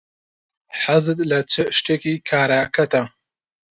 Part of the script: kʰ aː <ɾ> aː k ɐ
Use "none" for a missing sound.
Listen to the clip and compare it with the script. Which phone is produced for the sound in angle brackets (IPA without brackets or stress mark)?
ɾ